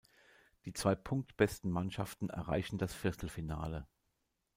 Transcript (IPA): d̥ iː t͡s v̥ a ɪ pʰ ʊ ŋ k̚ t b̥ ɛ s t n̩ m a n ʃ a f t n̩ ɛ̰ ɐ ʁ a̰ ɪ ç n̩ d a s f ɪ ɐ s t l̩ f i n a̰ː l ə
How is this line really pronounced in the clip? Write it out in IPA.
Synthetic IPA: d̥ iː t͡s v̥ a ɪ pʰ ʊ ŋ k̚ t b̥ ɛ s t n̩ m a n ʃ a f t n̩ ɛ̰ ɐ ʁ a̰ ɪ ç n̩ d a s f ɪ ɐ s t l̩ f i n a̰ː l ə